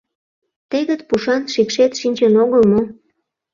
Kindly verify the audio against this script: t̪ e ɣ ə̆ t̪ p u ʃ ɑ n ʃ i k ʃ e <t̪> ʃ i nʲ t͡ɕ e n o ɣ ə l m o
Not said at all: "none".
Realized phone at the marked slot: t̪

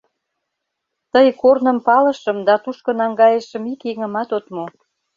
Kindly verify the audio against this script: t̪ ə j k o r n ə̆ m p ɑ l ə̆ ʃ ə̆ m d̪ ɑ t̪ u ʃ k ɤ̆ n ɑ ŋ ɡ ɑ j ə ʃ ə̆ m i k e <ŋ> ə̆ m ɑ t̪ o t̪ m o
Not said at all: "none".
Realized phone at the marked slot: ŋ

